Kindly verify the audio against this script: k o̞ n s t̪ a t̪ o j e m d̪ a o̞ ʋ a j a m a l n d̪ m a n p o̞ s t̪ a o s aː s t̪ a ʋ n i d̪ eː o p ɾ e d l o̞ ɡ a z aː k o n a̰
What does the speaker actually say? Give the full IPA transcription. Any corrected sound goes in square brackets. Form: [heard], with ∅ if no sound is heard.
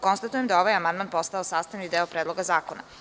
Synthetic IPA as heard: k o̞ n s t̪ a t̪ [u] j e m d̪ a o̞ ʋ a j a m a [∅] n d̪ m a n p o̞ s t̪ a o s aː s t̪ a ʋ n i d̪ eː o p ɾ e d l o̞ ɡ a z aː k o n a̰